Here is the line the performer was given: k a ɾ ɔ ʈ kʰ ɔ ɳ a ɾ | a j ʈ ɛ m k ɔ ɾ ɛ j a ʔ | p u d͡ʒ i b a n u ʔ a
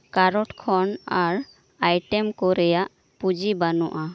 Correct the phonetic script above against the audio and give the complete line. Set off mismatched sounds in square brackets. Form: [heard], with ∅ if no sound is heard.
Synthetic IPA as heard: k a ɾ ɔ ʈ kʰ ɔ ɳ a ɾ | a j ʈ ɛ m k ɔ ɾ ɛ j a ʔ | p u d͡ʒ i b a n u ʔ a